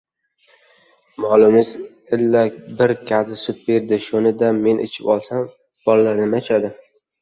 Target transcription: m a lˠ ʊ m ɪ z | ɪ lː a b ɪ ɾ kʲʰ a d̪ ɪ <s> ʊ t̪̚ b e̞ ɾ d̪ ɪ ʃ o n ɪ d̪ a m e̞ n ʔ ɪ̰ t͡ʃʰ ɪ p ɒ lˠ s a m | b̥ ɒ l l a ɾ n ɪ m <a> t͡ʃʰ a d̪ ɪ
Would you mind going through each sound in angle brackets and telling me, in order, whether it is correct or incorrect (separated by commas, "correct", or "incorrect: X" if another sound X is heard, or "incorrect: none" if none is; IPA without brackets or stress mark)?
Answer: correct, correct